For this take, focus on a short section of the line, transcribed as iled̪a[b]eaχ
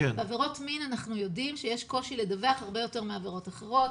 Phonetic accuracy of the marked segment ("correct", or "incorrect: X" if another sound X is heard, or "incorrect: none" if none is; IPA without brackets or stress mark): incorrect: v